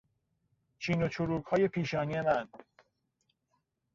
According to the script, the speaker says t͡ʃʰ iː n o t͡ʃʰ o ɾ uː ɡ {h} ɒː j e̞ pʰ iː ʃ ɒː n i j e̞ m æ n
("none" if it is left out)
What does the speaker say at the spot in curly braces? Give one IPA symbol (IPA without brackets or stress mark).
h